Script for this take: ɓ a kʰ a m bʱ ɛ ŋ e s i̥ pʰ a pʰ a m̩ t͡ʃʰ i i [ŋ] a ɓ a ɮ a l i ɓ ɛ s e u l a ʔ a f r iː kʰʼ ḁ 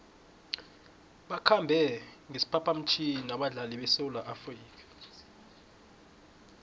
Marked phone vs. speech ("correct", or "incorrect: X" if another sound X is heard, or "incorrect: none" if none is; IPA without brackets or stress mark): incorrect: n